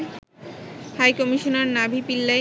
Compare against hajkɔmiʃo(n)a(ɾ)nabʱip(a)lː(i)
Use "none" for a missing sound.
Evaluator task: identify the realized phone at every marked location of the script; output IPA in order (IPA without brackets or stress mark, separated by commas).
n, ɾ, i, a